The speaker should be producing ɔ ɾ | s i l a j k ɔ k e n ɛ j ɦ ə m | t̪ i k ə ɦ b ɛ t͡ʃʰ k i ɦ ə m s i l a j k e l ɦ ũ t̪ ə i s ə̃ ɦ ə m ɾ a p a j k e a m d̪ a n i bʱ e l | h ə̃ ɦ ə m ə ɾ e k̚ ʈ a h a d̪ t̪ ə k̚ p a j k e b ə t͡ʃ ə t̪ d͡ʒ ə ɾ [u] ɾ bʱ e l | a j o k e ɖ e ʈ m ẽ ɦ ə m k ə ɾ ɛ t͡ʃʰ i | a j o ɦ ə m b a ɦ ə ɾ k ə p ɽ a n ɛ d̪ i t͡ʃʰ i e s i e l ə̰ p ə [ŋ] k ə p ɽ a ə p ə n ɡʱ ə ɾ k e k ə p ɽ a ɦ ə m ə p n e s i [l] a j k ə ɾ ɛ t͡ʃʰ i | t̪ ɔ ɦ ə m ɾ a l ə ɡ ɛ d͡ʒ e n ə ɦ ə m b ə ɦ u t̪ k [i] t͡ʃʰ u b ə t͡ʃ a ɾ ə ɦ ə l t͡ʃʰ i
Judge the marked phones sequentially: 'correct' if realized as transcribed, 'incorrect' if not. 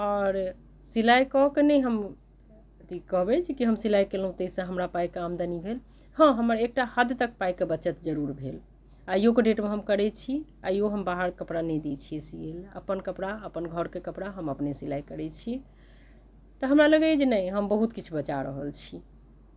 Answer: correct, incorrect: n, correct, correct

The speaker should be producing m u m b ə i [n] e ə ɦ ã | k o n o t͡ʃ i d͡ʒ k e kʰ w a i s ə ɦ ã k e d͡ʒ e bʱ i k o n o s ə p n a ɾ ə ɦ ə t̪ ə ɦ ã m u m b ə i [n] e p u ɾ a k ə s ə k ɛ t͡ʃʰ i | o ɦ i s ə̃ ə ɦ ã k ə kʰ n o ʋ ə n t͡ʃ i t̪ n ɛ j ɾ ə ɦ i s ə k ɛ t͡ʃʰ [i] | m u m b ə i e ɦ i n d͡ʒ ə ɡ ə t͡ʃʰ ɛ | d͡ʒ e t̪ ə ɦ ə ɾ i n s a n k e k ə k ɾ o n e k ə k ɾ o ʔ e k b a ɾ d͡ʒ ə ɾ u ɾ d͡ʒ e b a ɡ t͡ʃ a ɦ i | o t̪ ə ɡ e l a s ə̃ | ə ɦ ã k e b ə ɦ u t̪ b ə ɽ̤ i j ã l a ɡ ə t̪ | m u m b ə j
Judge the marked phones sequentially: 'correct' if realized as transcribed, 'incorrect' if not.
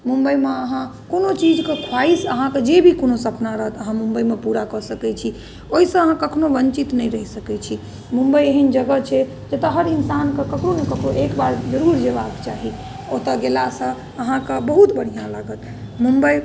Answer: incorrect: m, incorrect: m, correct

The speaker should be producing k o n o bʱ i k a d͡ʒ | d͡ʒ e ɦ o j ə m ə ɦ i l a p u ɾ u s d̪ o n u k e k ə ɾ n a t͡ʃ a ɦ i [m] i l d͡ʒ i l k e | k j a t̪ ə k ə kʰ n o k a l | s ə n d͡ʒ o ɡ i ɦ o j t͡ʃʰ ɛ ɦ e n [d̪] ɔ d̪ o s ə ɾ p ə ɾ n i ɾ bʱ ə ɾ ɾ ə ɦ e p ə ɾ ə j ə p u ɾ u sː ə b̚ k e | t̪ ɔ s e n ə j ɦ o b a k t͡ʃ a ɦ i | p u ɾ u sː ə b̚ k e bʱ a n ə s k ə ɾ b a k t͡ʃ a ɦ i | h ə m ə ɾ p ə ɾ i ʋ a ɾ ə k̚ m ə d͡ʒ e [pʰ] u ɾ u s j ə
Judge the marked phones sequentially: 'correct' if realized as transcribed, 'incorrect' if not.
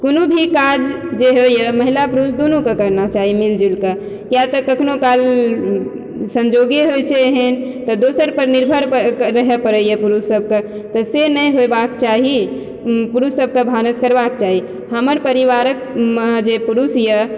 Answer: correct, incorrect: t̪, incorrect: p

